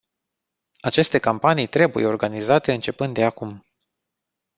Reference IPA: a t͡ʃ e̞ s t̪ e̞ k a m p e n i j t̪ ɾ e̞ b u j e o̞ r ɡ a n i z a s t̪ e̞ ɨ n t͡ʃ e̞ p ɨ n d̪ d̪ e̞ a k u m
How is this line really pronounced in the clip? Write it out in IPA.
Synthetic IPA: a t͡ʃ e̞ s t̪ e̞ k a m p a n i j t̪ ɾ e̞ b u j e o̞ r ɡ a n i z a t̪ e̞ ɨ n t͡ʃ e̞ p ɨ n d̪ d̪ e̞ a k u m